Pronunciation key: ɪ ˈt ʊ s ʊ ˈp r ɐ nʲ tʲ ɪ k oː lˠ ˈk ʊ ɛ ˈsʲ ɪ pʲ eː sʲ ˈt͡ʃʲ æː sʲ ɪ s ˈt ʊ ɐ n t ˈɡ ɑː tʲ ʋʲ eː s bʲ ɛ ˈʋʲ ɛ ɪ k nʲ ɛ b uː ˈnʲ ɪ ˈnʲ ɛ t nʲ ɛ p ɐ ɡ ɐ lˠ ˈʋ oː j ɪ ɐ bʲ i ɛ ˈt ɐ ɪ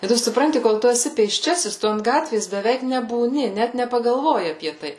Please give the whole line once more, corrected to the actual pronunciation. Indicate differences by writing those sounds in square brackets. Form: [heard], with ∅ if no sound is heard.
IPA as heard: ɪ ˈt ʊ s ʊ ˈp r ɐ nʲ tʲ ɪ k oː lˠ [ˈt] ʊ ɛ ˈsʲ ɪ pʲ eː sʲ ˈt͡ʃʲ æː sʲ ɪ s ˈt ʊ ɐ n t ˈɡ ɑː tʲ ʋʲ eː s bʲ ɛ ˈʋʲ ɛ ɪ k nʲ ɛ b uː ˈnʲ ɪ ˈnʲ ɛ t nʲ ɛ p ɐ ɡ ɐ lˠ ˈʋ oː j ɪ ɐ [pʲ] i ɛ ˈt ɐ ɪ